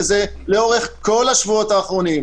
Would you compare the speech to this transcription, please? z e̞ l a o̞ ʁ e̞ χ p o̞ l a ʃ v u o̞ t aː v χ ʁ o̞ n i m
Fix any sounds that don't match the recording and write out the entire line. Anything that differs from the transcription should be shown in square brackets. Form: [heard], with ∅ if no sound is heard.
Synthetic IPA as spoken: z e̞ l [e] o̞ ʁ e̞ χ [k] o̞ l a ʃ v u o̞ t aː [∅] χ ʁ o̞ n i m